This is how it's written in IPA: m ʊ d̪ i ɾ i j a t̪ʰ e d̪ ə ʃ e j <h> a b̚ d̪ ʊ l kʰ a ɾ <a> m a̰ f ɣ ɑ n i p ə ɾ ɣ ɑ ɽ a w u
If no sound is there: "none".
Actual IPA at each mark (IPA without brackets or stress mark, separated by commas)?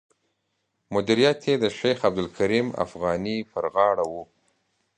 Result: x, i